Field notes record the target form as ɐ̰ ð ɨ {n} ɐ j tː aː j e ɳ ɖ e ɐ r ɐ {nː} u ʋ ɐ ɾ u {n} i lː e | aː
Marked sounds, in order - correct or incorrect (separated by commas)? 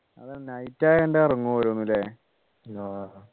correct, incorrect, incorrect